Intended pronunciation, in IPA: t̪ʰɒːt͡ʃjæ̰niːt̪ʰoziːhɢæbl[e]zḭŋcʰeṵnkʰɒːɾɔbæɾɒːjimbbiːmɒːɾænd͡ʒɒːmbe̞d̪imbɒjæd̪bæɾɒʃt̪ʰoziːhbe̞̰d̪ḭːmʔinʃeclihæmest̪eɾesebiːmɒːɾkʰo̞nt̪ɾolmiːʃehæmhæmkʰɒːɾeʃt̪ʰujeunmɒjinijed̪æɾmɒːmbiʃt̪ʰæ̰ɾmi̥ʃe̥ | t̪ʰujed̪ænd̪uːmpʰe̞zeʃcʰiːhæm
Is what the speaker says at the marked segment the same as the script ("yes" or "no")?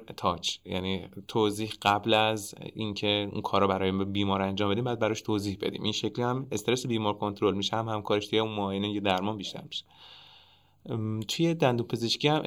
no